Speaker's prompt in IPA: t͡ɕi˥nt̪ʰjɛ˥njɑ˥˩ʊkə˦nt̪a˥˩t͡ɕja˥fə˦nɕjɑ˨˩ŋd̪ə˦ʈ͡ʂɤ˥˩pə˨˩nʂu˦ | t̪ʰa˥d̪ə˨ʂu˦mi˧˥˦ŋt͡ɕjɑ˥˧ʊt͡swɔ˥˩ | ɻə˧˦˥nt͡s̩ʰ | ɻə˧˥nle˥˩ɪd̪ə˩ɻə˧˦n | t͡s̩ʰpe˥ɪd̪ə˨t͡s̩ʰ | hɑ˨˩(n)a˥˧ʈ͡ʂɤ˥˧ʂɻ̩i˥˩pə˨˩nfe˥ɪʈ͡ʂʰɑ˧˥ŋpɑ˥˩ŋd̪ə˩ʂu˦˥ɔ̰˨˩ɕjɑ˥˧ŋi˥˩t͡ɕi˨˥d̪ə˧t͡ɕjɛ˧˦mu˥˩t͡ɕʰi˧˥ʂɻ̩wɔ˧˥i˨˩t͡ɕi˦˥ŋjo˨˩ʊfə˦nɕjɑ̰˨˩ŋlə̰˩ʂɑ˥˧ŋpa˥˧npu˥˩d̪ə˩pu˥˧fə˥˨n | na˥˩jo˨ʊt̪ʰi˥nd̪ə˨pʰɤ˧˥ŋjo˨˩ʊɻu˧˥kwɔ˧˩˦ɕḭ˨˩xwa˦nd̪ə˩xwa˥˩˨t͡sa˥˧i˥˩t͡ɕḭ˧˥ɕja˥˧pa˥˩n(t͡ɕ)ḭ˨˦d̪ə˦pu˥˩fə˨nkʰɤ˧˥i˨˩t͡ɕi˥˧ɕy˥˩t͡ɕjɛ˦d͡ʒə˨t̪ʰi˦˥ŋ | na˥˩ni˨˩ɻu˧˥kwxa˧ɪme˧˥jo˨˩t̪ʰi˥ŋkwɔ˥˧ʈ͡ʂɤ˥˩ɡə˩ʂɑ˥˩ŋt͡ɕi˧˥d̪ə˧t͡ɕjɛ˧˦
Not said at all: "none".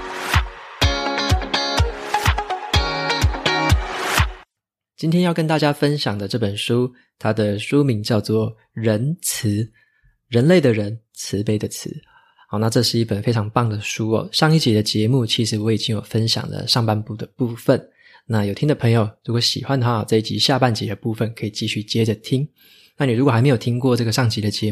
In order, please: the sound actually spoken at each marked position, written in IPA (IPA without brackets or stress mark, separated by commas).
n, t͡ɕ